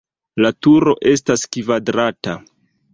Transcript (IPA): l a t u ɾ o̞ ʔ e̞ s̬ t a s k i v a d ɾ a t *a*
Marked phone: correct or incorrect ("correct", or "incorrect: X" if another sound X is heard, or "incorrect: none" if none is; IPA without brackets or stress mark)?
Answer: correct